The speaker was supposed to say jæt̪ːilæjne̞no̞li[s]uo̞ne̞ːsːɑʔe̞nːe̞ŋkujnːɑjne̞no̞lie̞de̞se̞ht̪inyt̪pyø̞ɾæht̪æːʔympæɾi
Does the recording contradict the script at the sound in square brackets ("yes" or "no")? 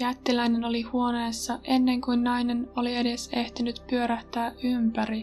yes